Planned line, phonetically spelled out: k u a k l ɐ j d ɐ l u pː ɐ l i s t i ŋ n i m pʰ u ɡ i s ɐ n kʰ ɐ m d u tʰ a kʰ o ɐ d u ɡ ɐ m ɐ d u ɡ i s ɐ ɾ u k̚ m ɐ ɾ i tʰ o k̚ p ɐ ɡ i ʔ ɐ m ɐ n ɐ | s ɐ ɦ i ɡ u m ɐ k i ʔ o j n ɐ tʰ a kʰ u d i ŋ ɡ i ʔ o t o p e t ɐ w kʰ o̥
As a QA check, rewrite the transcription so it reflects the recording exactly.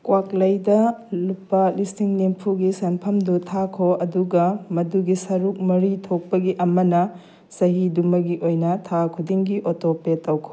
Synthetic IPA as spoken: k w a k l ɐ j d ɐ l u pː ɐ l i s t i ŋ n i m pʰ u ɡ i s ɐ n pʰ ɐ m d u tʰ a kʰ o ɐ d u ɡ ɐ m ɐ d u ɡ i s ɐ ɾ u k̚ m ɐ ɾ i tʰ o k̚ p ɐ ɡ i ʔ ɐ m ɐ n ɐ | s ɐ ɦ i d u m ɐ ɡ i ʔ o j n ɐ tʰ a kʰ u d i ŋ ɡ i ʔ o t o p e t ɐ w kʰ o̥